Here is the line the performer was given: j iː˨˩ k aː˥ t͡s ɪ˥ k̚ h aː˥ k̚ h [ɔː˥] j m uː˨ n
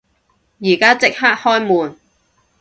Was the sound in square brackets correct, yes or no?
yes